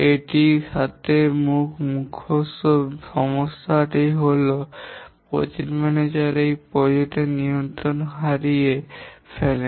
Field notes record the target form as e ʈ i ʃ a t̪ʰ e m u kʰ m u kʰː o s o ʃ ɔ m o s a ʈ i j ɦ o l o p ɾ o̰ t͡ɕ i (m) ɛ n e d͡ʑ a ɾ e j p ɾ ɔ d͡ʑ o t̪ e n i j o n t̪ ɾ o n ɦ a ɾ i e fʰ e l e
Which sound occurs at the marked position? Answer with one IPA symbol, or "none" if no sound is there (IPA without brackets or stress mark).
m